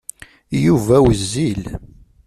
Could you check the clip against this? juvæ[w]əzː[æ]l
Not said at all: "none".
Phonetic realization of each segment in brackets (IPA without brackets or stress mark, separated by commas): w, i